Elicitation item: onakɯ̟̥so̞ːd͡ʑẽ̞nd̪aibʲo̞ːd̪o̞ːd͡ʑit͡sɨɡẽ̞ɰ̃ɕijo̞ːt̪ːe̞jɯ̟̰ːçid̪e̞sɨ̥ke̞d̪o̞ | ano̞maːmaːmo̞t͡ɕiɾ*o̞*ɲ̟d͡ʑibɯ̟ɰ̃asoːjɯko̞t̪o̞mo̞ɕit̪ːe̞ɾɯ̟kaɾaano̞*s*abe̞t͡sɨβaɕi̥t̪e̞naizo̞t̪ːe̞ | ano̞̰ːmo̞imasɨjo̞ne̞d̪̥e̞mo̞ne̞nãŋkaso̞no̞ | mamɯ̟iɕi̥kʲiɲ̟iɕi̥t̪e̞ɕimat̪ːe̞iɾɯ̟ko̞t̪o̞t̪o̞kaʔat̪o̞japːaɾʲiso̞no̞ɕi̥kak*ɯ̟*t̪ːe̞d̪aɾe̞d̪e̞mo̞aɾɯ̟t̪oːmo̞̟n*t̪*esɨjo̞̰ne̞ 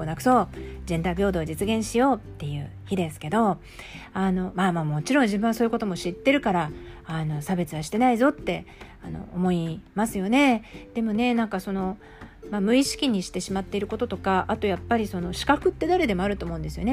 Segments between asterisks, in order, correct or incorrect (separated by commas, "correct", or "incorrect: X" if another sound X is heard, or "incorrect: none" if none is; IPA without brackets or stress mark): incorrect: õ̞, correct, correct, incorrect: d̪